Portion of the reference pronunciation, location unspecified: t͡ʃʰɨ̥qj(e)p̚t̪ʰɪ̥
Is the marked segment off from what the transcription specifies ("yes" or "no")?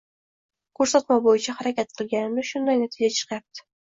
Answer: yes